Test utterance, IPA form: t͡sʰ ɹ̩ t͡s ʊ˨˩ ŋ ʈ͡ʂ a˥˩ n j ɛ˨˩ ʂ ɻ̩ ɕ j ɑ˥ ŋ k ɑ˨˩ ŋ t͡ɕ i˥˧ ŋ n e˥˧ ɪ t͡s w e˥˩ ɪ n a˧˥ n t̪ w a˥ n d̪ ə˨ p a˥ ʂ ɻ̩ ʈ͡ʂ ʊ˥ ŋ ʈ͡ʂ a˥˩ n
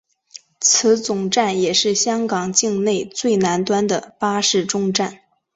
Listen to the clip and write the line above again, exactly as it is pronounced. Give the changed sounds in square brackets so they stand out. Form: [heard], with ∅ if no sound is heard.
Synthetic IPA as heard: t͡sʰ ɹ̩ t͡s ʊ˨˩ ŋ ʈ͡ʂ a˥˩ n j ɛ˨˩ ʂ ɻ̩ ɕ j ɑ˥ ŋ k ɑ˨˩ ŋ t͡ɕ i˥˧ ŋ n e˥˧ ɪ t͡s w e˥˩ ɪ n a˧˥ n t̪ w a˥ n d̪ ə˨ p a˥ ʂ ɻ̩ ʈ͡ʂ ʊ˥ ŋ ʈ͡ʂ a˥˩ n